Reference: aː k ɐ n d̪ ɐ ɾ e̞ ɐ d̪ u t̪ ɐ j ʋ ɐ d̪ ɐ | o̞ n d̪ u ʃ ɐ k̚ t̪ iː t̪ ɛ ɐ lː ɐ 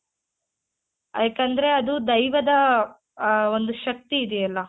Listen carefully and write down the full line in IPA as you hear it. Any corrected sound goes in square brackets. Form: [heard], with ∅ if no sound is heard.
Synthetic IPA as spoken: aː k ɐ n d̪ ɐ ɾ e̞ ɐ d̪ u [d̪] ɐ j ʋ ɐ d̪ ɐ | o̞ n d̪ u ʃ ɐ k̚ t̪ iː [d̪] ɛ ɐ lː ɐ